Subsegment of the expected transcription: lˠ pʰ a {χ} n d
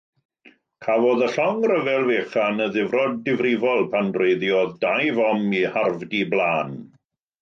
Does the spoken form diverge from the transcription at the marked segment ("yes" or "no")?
yes